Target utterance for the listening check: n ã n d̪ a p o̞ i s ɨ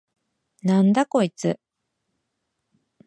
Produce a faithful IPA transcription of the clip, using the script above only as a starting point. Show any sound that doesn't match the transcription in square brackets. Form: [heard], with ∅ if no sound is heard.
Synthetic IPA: n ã n d̪ a [k] o̞ i [t͡s] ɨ